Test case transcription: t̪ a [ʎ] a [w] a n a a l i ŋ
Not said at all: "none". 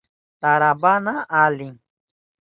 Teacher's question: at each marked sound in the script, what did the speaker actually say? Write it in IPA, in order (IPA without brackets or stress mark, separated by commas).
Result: ɾ, b